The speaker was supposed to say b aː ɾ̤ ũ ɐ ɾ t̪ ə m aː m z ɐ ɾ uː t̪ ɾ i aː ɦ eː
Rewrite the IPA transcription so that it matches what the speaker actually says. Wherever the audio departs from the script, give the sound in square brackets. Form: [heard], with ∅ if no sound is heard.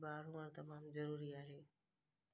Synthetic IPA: b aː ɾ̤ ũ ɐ ɾ t̪ [ɐ] m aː m z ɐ ɾ uː [∅] ɾ i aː ɦ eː